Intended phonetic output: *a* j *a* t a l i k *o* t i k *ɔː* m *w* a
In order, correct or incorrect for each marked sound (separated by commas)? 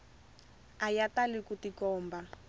correct, correct, incorrect, correct, incorrect